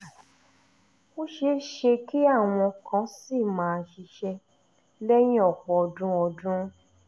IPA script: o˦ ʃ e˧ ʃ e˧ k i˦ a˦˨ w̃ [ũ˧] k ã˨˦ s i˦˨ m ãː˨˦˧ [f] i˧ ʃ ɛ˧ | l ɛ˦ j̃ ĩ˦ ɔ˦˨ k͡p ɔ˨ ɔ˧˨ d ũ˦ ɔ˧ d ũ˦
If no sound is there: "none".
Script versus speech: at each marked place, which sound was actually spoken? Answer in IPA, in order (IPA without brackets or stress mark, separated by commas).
ɔ̃˧, ʃ